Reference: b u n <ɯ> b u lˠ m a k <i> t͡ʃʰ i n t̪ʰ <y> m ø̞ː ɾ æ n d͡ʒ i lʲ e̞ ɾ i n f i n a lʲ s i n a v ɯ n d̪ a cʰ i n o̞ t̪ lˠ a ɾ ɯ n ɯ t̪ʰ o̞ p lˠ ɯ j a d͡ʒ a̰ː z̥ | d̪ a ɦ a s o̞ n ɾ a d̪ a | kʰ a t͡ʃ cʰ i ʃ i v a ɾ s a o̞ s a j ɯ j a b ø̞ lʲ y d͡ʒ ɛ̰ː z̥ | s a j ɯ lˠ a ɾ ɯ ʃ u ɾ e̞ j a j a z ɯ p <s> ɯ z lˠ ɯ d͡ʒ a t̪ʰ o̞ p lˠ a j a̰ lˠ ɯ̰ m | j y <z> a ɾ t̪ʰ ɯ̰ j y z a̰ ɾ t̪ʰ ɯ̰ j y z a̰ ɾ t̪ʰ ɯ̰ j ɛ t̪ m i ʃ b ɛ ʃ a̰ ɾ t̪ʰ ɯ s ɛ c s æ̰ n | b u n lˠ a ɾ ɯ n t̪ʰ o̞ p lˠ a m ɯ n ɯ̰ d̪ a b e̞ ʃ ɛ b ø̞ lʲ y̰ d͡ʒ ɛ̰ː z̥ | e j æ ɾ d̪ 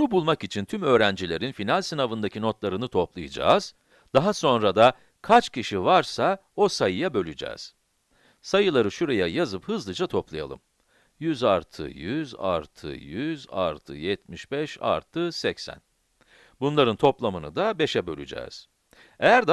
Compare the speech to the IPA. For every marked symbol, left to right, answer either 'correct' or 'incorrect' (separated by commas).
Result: incorrect, correct, correct, incorrect, correct